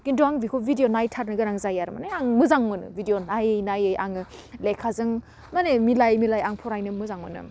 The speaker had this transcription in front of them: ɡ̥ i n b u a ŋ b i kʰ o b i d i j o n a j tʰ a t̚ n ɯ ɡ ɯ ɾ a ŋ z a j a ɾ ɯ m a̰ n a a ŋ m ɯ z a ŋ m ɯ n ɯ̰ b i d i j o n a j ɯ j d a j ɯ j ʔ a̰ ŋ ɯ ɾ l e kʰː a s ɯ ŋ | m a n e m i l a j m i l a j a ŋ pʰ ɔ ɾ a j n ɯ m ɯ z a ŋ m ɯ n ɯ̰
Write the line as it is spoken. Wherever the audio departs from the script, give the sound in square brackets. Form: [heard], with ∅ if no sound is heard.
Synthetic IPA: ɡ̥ i n [d] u a ŋ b i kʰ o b i d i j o n a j tʰ a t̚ n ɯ ɡ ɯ ɾ a ŋ z a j a ɾ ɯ m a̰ n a a ŋ m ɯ z a ŋ m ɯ n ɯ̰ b i d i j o n a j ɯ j [n] a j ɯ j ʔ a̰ ŋ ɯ [∅] l e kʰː a [z] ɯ ŋ | m a n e m i l a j m i l a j a ŋ pʰ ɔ ɾ a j n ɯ m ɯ z a ŋ m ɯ n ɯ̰